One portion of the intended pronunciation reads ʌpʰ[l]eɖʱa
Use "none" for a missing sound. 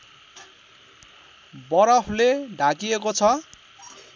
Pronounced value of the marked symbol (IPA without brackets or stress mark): l